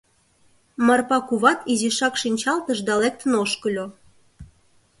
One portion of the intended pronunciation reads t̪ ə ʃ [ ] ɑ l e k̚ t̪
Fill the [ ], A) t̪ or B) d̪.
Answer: B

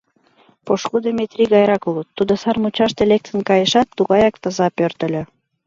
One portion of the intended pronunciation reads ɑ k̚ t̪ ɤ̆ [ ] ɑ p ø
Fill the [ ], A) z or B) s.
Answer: A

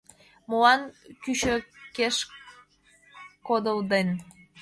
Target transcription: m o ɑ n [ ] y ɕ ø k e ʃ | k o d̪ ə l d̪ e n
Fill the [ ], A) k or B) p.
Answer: A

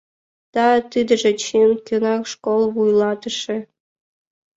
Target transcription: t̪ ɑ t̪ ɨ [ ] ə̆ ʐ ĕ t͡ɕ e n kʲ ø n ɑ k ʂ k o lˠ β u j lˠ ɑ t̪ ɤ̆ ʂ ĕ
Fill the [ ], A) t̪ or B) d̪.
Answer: B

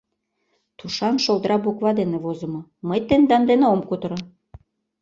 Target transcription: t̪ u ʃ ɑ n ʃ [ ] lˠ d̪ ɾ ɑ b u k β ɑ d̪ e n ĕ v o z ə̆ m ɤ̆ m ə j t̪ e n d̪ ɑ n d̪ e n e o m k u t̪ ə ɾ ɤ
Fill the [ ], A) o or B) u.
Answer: A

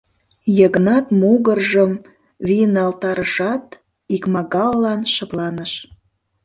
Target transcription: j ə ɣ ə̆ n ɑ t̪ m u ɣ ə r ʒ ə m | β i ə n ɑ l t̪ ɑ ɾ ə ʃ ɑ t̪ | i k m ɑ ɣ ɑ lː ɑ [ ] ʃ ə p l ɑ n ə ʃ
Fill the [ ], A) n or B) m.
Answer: A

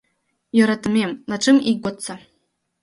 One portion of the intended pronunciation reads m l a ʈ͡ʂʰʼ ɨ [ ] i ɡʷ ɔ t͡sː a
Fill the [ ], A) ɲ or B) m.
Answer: B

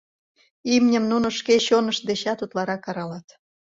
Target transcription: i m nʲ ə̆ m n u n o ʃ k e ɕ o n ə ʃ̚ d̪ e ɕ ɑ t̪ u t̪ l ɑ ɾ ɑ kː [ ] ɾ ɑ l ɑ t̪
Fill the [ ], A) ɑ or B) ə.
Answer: A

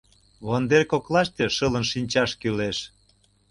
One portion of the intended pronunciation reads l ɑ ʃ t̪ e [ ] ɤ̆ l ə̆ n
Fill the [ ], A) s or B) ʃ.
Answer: B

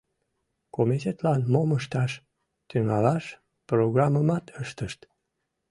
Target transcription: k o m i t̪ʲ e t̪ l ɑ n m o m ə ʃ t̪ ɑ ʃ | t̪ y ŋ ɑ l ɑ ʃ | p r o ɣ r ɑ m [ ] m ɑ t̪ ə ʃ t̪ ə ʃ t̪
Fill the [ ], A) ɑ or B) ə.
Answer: B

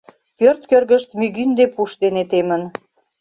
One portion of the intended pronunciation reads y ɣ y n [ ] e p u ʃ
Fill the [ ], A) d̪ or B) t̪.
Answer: A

